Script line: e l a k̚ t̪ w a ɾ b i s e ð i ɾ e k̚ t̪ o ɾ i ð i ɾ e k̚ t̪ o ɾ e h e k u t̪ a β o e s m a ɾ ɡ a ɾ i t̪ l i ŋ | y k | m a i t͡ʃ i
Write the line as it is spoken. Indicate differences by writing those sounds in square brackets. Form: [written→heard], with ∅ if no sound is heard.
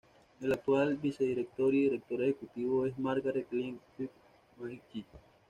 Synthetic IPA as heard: e l a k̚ t̪ w a [ɾ→l] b i s e ð i ɾ e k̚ t̪ o ɾ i ð i ɾ e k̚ t̪ o ɾ e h e k u t̪ [a→i] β o e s m a ɾ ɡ a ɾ [i→e] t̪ l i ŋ | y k | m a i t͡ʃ i